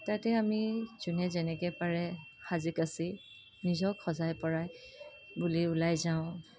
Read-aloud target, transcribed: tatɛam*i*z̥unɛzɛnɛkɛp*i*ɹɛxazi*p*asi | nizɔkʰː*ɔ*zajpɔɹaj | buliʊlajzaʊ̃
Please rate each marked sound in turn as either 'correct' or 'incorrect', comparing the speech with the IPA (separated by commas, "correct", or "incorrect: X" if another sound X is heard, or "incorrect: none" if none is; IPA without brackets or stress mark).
correct, incorrect: a, incorrect: k, correct